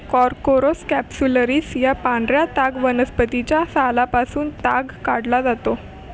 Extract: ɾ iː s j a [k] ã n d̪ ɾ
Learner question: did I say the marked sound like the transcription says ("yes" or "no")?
no